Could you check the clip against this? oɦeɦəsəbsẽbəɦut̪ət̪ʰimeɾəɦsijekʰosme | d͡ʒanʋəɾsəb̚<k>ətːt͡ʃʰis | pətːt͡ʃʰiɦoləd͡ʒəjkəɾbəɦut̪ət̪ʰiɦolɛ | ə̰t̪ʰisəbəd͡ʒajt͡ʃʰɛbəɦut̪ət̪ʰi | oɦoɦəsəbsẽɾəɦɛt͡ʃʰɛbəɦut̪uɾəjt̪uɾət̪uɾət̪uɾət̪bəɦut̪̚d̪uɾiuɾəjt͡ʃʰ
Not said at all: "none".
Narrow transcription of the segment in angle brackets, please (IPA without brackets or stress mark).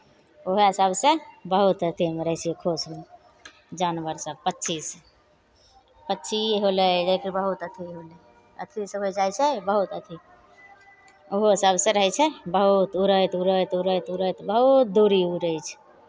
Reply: p